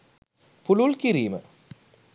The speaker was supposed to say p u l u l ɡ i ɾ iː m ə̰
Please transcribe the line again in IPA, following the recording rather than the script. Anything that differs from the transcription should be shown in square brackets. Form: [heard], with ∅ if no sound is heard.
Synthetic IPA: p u l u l [k] i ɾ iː m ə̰